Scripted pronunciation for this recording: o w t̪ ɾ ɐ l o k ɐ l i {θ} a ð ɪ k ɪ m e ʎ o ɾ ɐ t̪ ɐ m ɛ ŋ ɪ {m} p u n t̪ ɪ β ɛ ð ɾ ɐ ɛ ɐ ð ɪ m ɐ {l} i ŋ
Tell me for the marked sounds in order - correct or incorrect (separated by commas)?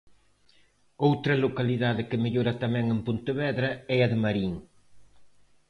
incorrect, correct, incorrect